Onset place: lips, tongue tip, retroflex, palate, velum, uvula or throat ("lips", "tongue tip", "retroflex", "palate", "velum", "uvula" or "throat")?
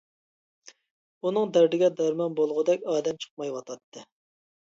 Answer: tongue tip